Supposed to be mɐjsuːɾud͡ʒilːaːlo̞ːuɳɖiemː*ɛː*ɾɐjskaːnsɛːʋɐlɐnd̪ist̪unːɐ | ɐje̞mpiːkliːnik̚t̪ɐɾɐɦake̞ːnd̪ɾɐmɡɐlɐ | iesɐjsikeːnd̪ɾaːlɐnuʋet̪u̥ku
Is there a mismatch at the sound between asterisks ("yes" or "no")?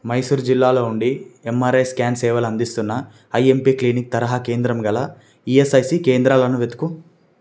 yes